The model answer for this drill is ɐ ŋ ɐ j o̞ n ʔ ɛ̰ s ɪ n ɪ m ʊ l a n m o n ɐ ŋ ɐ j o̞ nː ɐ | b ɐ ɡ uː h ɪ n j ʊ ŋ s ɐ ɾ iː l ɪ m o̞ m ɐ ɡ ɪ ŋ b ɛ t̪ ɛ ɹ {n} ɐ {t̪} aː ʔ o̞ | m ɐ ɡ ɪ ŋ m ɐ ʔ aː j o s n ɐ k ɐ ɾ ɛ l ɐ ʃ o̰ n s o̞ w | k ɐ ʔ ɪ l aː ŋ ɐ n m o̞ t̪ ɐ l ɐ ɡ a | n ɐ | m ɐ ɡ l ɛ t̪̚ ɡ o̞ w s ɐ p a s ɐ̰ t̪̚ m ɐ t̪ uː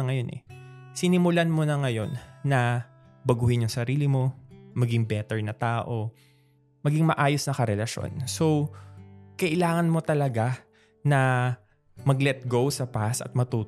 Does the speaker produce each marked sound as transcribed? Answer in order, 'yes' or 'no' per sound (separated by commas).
yes, yes